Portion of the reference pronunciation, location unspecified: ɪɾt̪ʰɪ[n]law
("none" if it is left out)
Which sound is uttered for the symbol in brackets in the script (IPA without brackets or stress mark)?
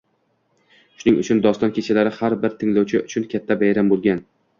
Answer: ŋ